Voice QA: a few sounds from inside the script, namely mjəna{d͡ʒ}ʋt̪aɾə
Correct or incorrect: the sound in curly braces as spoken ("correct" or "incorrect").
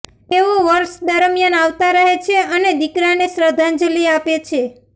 incorrect